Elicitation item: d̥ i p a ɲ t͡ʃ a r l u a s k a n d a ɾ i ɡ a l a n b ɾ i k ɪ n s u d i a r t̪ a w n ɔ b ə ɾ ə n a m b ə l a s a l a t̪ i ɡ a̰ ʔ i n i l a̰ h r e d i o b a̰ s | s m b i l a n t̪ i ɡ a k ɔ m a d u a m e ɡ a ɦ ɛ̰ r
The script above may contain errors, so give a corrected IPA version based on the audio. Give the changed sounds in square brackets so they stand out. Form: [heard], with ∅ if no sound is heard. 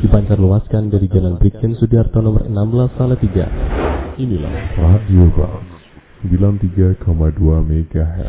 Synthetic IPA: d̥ i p a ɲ t͡ʃ a r l u a s k a n d a ɾ i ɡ a l a n b ɾ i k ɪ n s u d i a r t̪ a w n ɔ [m] ə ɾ ə n a m b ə l a s a l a t̪ i ɡ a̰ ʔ i n i l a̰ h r [a] d i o b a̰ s | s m b i l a n t̪ i ɡ a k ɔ m a d u a m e ɡ a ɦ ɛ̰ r